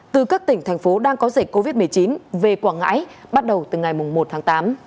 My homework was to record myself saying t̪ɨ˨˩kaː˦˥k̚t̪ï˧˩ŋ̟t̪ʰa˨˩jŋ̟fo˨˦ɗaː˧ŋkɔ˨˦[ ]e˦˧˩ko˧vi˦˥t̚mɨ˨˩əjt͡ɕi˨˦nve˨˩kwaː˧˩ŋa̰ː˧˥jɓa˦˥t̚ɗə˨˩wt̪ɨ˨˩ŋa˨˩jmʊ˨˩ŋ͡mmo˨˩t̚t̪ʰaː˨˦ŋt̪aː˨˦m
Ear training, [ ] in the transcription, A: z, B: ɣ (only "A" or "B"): A